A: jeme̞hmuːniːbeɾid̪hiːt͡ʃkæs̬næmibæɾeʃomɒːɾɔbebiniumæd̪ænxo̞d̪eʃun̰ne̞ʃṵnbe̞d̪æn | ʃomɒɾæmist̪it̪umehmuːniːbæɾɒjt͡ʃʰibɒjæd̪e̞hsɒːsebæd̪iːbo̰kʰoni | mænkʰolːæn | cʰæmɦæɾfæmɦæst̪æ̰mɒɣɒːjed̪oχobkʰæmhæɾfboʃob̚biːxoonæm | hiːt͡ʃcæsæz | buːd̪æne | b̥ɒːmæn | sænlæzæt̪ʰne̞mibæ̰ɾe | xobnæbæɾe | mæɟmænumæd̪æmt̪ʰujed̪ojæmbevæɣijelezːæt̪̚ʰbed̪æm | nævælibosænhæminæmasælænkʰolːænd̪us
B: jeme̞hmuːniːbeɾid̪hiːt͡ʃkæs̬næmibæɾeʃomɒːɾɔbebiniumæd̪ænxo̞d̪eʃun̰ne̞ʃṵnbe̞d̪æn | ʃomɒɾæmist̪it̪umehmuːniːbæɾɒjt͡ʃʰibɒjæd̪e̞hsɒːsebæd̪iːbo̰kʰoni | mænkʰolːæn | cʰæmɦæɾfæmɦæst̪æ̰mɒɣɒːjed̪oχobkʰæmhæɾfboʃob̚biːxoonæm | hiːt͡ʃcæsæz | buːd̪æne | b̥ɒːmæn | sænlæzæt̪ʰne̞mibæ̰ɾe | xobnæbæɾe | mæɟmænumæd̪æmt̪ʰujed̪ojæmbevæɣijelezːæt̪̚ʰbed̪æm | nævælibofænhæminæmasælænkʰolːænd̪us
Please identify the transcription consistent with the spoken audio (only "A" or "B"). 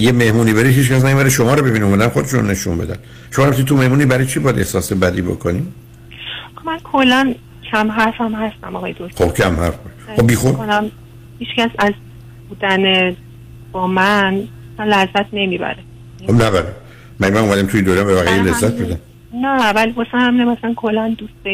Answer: A